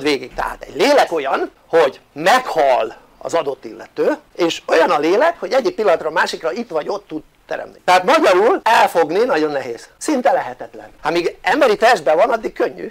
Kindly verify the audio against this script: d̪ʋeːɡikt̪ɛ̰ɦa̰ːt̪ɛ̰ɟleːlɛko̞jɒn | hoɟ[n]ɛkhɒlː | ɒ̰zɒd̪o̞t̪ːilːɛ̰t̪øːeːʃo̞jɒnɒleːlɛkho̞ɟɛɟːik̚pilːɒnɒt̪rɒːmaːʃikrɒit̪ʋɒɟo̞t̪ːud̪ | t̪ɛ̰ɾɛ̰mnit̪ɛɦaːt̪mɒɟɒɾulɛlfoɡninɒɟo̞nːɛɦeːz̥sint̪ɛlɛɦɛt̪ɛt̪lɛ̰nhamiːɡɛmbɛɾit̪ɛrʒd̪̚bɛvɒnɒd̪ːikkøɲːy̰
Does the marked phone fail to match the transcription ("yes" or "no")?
yes